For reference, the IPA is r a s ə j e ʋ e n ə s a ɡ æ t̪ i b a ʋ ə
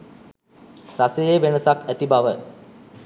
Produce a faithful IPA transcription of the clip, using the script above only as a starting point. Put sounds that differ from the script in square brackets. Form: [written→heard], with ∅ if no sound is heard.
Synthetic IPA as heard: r a s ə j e ʋ e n ə s a [ɡ→k] æ t̪ i b a ʋ ə